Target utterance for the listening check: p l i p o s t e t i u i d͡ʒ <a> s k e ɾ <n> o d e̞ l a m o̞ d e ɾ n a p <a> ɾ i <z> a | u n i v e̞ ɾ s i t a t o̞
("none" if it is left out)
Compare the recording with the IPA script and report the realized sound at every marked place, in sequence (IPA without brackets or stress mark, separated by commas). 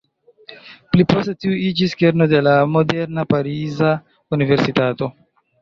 i, n, a, z